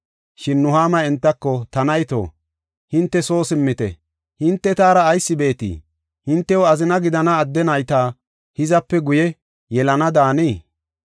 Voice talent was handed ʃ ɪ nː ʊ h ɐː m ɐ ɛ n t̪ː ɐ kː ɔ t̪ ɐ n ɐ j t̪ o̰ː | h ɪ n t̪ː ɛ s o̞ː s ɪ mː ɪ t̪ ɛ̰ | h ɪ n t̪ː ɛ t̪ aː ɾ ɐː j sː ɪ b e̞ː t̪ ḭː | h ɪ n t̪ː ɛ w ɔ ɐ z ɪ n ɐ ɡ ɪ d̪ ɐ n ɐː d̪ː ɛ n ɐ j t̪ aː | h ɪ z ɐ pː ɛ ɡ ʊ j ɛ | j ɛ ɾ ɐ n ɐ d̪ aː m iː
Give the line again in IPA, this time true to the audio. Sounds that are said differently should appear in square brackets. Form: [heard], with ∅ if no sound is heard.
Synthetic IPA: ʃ ɪ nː ʊ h [aː] m ɐ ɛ n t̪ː ɐ kː ɔ t̪ ɐ n ɐ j t̪ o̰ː | h ɪ n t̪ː ɛ s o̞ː s ɪ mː ɪ t̪ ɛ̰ | h ɪ n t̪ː ɛ t̪ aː ɾ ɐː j sː ɪ b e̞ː t̪ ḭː | h ɪ n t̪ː ɛ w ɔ ɐ z ɪ n ɐ ɡ ɪ d̪ ɐ n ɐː d̪ː ɛ n ɐ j t̪ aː | h ɪ z ɐ pː ɛ ɡ ʊ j ɛ | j ɛ [l] ɐ n ɐ d̪ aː [n] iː